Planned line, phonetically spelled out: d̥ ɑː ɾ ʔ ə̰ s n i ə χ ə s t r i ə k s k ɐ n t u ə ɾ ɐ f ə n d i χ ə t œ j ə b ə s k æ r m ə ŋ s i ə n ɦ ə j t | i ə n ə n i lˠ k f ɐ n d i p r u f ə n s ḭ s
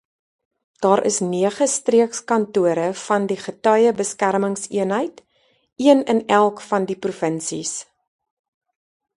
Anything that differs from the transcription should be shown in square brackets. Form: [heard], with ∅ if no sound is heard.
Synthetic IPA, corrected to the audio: d̥ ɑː ɾ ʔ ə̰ s n i ə χ ə s t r i ə k s k ɐ n t u ə ɾ [ə] f [ɐ] n d i χ ə t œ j ə b ə s k æ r m ə ŋ s i ə n ɦ ə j t | i ə n ə n [æ] lˠ k f ɐ n d i p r u f ə n s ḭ s